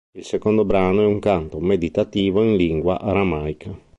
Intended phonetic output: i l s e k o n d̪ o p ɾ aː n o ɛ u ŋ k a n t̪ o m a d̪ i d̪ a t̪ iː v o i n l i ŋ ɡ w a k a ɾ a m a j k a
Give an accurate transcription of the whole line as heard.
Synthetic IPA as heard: i l s e k o n d̪ o b ɾ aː n o ɛ u ŋ k a n t̪ o m e d̪ i t̪ a t̪ iː v o i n l i ŋ ɡ w a ʔ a ɾ a m a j k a